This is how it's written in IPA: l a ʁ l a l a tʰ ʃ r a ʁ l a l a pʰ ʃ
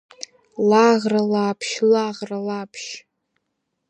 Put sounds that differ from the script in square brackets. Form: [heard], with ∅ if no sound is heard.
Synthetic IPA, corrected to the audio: l a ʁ [r] a l a [pʰ] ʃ [l] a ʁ [r] a l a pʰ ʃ